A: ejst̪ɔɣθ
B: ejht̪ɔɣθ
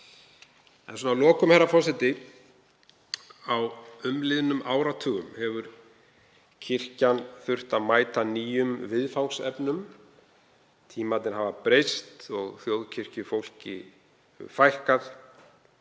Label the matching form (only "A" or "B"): A